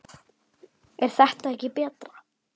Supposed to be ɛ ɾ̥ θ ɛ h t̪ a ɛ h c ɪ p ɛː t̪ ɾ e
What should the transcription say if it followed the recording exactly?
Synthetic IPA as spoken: ɛ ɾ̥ θ ɛ h t̪ a ɛ h c ɪ p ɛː t̪ ɾ a